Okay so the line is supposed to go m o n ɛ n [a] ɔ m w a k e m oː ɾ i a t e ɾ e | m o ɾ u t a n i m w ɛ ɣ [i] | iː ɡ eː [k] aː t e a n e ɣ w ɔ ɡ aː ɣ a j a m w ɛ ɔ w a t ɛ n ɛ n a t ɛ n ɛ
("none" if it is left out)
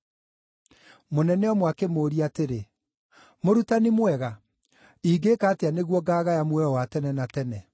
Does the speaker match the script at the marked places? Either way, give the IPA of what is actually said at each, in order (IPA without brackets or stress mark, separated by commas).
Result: ɛ, a, k